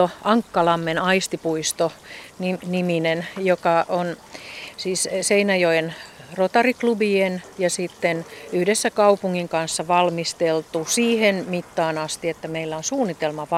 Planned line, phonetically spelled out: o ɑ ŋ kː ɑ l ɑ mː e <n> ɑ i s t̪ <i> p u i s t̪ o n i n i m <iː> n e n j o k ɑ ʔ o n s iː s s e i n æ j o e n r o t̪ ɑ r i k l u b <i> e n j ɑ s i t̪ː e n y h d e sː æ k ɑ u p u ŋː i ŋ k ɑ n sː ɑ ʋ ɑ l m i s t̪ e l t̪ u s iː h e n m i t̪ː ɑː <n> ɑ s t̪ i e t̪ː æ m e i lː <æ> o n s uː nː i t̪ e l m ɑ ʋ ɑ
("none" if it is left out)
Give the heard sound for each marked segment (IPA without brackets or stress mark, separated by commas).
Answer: n, i, i, i, n, æ